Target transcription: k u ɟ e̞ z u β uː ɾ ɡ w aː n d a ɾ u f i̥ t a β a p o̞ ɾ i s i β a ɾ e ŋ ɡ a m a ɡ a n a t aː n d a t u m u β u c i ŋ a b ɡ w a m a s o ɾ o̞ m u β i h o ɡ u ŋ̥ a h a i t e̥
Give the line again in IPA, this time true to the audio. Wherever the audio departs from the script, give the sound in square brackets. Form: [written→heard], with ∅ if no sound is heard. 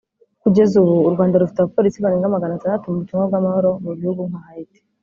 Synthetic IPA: k u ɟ e̞ z u β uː ɾ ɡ w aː n d a ɾ u f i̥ t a β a p o̞ ɾ i s i β a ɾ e ŋ ɡ a m a ɡ a n a t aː n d a t u m u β u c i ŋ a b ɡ w a m a [s→h] o ɾ o̞ m u β i h [o→u] ɡ u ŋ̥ a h a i t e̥